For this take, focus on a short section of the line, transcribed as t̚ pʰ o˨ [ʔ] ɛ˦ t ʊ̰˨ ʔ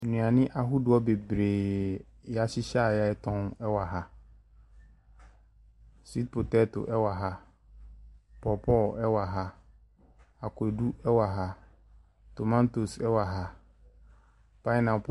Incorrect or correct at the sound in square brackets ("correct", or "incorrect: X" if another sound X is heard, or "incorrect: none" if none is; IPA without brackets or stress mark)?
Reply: incorrect: t